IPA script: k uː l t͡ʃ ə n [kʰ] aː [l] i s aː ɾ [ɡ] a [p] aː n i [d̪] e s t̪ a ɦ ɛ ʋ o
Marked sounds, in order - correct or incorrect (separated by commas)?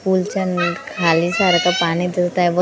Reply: correct, correct, incorrect, correct, correct